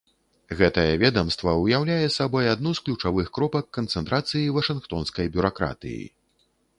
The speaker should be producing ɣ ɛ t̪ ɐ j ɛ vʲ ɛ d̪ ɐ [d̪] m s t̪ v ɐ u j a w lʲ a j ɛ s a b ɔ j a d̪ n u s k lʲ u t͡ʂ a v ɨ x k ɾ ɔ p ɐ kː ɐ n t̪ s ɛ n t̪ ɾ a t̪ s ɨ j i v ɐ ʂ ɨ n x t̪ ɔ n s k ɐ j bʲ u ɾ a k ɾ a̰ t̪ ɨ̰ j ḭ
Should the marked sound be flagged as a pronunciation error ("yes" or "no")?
yes